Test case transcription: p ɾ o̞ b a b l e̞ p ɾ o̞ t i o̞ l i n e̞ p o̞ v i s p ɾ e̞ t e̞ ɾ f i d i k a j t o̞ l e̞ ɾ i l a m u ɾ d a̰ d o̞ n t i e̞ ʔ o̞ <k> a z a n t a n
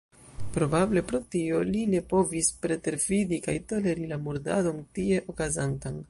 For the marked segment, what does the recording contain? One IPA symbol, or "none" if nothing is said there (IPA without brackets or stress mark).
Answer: k